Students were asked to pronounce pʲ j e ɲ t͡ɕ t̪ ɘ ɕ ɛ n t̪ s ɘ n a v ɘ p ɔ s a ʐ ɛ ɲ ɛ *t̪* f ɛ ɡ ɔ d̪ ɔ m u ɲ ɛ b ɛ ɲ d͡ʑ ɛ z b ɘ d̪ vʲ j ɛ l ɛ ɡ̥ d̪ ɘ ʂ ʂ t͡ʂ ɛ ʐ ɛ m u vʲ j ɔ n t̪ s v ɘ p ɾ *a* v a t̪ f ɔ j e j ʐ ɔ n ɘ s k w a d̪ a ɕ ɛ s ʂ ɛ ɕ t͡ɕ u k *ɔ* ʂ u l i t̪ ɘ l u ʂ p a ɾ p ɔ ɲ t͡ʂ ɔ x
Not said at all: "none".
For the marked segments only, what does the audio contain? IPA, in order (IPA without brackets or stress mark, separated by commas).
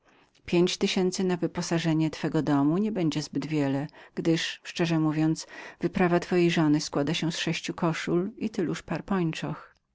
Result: t̪, a, ɔ